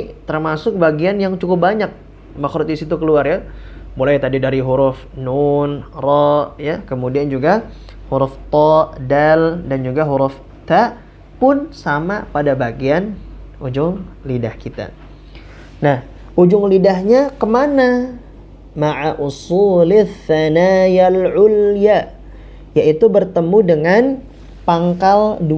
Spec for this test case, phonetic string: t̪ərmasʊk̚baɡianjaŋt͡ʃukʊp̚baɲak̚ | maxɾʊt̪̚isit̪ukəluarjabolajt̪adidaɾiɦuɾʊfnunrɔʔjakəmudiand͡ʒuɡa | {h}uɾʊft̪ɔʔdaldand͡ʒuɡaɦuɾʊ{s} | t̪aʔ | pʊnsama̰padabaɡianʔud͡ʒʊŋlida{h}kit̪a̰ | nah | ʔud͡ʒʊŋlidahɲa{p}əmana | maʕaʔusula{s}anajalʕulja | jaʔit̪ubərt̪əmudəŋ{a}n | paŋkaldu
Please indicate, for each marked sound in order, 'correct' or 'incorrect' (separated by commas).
correct, incorrect, correct, incorrect, incorrect, correct